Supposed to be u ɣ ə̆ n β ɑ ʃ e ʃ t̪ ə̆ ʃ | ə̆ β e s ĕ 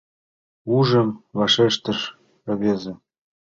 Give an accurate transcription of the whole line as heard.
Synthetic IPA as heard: u ʒ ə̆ m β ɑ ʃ e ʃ t̪ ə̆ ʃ | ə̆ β e z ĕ